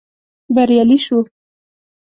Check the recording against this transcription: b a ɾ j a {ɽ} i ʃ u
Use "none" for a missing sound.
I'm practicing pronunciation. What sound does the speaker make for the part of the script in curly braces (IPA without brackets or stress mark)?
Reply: l